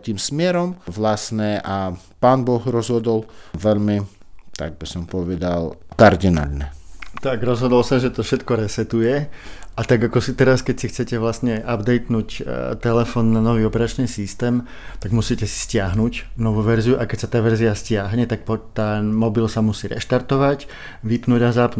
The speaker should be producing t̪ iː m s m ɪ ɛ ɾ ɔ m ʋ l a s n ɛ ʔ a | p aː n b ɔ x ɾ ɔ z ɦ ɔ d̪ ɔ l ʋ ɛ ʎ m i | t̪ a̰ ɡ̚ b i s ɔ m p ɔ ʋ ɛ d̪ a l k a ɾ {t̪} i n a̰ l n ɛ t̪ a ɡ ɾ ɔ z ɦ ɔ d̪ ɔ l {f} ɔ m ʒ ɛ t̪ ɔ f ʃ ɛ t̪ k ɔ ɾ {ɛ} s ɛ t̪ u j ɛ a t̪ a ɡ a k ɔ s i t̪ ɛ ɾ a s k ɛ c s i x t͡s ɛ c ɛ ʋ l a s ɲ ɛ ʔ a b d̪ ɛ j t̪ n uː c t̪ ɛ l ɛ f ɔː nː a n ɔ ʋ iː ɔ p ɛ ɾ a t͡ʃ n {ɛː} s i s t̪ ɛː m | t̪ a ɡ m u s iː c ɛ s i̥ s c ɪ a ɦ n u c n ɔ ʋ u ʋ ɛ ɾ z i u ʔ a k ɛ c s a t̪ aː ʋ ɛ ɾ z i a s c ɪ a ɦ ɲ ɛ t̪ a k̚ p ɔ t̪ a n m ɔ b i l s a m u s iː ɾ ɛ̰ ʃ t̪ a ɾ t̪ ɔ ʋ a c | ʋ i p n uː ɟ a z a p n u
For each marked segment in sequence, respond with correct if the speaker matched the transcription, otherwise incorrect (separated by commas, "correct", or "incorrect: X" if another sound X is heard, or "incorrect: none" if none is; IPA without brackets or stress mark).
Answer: incorrect: d̪, incorrect: s, correct, incorrect: iː